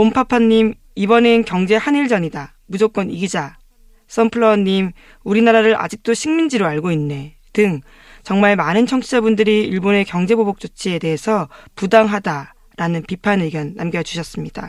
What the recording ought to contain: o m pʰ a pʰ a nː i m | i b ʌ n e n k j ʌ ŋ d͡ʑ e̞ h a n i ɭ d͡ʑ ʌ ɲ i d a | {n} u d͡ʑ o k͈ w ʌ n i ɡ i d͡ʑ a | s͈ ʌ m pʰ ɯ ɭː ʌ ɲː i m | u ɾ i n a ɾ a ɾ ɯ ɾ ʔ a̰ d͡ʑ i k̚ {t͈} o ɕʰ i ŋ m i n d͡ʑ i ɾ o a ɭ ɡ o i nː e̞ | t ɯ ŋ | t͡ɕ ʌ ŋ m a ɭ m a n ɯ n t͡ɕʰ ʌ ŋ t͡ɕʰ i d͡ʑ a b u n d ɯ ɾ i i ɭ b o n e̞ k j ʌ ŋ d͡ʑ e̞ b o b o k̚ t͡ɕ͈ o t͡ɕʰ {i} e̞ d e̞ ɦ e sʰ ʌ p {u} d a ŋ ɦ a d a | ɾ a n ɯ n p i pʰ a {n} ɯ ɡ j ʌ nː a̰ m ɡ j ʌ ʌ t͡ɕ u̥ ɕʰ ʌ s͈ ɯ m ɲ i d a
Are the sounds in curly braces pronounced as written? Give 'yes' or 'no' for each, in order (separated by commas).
no, yes, yes, yes, yes